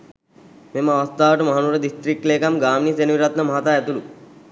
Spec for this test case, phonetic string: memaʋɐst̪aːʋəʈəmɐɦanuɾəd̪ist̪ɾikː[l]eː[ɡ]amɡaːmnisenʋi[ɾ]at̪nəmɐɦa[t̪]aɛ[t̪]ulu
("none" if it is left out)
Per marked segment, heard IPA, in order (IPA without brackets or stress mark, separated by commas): l, k, ɾ, t̪, t̪